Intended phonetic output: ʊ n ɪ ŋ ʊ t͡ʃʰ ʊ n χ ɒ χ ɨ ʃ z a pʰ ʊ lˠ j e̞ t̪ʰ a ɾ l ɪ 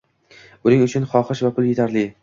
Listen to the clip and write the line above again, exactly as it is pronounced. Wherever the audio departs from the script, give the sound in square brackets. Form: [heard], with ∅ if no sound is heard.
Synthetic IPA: ʊ n ɪ ŋ ʊ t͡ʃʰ ʊ n χ ɒ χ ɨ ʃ [v] a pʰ ʊ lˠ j e̞ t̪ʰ a ɾ l ɪ